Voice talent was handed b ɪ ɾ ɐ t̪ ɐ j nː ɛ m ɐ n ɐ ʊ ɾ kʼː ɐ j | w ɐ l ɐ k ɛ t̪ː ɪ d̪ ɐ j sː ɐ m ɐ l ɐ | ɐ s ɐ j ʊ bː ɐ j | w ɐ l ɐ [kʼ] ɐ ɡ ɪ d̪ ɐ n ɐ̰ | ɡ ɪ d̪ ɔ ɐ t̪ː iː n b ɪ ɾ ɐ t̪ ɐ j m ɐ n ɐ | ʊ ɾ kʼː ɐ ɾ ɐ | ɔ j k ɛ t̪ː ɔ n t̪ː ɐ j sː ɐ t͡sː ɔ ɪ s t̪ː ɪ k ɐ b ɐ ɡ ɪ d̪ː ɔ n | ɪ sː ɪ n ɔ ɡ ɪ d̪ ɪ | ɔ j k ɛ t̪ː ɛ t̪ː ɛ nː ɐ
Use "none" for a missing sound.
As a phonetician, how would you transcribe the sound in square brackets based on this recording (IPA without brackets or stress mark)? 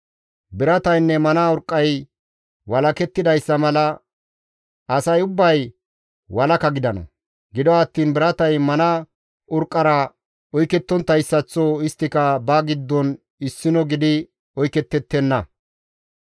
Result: k